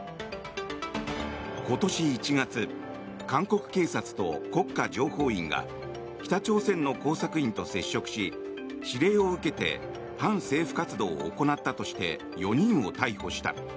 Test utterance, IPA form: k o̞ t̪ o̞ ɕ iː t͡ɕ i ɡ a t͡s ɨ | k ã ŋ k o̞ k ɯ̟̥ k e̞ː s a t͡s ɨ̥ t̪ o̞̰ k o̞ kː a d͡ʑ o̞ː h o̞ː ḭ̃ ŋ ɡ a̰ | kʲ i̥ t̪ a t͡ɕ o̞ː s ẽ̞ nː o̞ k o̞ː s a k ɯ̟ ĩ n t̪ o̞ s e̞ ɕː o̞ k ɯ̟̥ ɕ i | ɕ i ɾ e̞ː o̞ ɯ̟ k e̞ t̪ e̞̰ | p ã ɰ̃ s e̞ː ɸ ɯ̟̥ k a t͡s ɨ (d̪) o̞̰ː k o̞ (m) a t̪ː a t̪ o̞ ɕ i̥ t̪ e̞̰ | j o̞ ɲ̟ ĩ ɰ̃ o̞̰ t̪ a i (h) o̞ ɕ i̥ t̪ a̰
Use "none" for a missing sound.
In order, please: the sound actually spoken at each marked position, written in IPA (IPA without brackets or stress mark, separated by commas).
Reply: d̪, n, h